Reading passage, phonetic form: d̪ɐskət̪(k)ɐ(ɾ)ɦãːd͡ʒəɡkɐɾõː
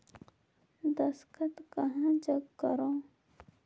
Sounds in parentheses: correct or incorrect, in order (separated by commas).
correct, incorrect